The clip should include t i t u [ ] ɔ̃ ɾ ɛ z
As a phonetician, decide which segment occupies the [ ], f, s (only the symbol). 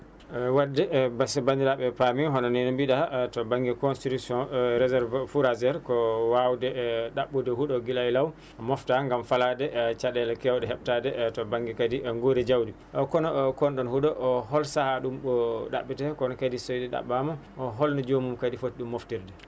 s